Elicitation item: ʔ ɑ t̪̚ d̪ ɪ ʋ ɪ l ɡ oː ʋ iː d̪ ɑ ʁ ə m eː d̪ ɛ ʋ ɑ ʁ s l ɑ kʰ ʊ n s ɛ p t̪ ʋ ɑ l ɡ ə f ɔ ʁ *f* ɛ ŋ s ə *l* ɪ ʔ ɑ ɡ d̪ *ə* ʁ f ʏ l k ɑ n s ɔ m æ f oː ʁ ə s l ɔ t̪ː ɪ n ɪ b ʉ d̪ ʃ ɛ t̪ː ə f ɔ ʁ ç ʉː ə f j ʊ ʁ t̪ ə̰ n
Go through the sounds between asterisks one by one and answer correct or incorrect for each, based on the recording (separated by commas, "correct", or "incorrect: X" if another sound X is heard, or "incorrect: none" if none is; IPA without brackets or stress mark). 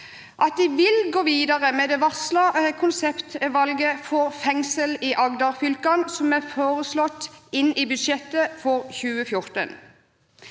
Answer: correct, correct, incorrect: ɑ